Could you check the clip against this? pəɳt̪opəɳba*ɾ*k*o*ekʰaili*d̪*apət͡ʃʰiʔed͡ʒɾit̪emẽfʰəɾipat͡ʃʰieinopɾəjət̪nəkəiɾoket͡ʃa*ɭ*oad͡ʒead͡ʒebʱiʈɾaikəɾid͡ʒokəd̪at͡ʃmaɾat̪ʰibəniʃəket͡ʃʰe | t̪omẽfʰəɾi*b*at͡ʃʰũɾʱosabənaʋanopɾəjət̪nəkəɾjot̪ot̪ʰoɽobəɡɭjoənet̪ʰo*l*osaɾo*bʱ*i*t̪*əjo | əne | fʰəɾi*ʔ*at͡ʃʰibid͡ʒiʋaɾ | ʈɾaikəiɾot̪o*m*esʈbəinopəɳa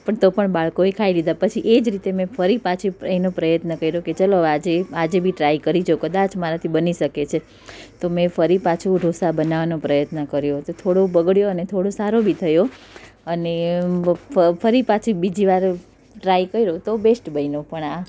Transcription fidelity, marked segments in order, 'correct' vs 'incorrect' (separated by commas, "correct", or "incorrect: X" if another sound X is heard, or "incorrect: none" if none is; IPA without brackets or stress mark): incorrect: ɭ, correct, correct, incorrect: l, incorrect: p, incorrect: ɽ, correct, incorrect: t̪ʰ, incorrect: p, incorrect: b